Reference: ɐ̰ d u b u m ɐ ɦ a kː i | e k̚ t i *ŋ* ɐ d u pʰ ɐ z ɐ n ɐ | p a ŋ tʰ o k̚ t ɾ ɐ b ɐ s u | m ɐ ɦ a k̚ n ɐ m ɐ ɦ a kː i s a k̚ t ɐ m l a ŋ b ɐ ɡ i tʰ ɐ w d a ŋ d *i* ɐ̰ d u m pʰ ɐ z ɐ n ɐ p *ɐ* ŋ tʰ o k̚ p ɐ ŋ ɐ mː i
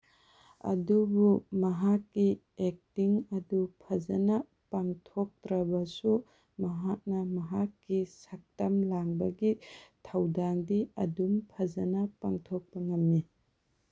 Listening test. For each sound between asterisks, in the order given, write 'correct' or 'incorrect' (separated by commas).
correct, correct, incorrect